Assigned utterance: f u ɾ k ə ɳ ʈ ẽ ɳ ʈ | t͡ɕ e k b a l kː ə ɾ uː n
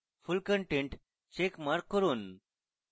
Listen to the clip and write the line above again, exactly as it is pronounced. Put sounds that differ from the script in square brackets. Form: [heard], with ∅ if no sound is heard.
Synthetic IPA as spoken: f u [l] k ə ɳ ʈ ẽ ɳ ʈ | t͡ɕ e k [m] a [ɾ] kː ə ɾ uː n